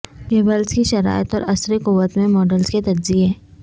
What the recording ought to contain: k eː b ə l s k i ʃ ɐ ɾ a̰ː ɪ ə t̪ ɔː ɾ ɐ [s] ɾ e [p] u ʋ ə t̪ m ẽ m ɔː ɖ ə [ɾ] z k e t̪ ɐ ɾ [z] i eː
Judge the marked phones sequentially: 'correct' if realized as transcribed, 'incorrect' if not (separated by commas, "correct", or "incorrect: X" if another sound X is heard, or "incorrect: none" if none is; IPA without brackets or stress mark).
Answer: correct, incorrect: k, incorrect: l, correct